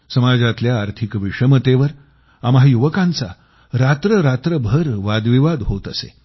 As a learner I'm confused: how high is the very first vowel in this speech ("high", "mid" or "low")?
mid